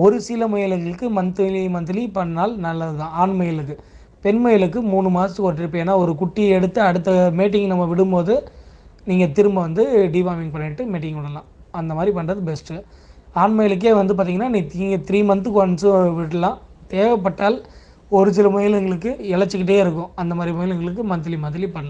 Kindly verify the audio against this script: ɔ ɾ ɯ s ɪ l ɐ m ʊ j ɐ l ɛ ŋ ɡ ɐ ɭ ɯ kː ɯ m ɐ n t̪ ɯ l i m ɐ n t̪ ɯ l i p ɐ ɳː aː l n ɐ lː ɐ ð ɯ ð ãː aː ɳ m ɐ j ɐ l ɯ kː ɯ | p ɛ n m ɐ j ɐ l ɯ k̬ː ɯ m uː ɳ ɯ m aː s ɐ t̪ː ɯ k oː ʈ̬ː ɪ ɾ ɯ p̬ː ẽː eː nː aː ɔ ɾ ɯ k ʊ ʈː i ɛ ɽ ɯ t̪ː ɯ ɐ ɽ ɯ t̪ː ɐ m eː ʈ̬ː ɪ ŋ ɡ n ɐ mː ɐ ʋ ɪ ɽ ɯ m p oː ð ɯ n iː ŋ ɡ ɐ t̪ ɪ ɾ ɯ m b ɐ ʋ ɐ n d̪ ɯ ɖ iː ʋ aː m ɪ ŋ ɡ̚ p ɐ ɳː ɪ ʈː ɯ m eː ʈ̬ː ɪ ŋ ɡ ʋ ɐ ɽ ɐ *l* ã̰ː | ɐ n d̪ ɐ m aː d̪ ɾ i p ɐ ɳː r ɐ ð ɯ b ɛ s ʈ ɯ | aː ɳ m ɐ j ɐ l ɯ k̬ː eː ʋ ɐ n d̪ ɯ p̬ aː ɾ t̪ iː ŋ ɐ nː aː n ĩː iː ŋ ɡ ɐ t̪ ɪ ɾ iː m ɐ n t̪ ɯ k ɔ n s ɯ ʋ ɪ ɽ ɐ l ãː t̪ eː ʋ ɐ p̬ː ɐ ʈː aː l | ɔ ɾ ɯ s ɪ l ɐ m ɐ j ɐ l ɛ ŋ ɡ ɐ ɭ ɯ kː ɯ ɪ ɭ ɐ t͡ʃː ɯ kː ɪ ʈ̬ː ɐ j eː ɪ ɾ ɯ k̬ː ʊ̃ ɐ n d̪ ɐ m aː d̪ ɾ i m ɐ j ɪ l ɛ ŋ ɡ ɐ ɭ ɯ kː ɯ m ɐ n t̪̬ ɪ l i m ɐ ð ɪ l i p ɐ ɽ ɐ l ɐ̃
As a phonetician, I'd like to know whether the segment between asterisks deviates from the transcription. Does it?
no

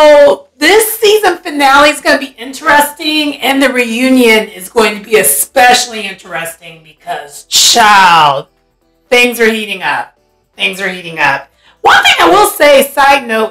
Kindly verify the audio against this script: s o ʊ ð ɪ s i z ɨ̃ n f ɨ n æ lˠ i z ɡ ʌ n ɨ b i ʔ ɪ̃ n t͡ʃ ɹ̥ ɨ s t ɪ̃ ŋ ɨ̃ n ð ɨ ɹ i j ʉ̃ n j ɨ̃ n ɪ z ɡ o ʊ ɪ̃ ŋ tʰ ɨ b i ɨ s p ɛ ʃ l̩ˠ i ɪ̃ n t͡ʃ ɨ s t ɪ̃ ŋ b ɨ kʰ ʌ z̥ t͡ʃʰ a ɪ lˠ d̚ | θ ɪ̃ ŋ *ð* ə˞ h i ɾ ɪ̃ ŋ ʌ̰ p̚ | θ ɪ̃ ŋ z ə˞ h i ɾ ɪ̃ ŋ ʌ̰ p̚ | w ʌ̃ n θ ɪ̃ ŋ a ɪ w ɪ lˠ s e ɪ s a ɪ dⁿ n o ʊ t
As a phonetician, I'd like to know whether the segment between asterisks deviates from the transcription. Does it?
yes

